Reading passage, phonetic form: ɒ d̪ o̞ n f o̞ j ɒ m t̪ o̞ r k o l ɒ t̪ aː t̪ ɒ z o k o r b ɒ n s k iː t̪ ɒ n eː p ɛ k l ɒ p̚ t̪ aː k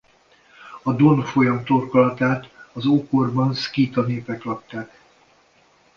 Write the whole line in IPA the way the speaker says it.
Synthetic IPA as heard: ɒ d̪ o̞ n f o̞ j ɒ m t̪ o̞ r k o l ɒ t̪ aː t̪ ɒ z o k o r b ɒ n s k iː t̪ ɒ n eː p ɛ k l ɒ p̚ t̪ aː k